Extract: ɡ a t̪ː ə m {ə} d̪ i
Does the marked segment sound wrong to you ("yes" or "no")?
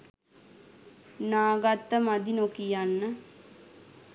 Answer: yes